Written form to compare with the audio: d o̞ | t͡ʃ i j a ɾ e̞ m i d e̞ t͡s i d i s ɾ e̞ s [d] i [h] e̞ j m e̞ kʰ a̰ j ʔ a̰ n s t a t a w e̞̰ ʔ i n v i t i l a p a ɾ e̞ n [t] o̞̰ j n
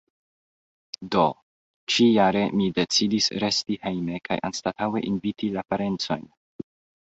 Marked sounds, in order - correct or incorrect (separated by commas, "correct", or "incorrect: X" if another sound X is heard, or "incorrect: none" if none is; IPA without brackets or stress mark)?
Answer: incorrect: t, correct, incorrect: t͡s